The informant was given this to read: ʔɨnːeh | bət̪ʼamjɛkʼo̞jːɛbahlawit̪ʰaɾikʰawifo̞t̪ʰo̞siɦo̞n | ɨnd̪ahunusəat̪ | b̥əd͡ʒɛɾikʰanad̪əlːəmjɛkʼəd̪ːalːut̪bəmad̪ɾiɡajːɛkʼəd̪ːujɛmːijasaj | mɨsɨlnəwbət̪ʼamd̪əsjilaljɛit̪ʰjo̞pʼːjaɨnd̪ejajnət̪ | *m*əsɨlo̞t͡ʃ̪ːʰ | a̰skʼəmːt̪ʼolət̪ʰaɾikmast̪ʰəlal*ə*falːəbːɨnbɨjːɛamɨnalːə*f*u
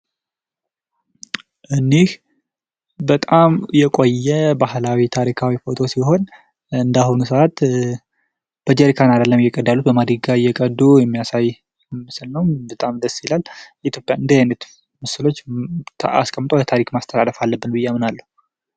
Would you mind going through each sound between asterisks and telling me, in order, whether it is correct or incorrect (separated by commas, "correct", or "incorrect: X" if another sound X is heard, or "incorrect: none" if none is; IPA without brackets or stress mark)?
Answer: correct, correct, incorrect: h